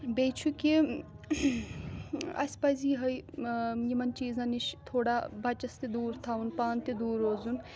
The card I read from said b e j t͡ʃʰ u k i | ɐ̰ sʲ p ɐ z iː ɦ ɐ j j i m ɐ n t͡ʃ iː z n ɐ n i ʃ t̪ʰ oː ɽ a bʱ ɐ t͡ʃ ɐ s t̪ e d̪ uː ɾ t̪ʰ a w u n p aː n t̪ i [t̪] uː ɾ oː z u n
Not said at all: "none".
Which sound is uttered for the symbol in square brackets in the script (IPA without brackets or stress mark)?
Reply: d̪